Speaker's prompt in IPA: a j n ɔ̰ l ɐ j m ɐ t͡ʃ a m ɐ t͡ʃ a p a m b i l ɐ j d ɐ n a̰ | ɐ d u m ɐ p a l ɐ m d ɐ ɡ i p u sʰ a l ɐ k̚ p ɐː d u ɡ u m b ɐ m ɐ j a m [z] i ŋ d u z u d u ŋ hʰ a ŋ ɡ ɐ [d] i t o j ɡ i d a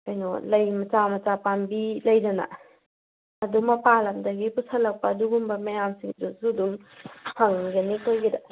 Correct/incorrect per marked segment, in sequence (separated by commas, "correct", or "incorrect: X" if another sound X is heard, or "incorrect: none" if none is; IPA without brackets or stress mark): incorrect: s, incorrect: n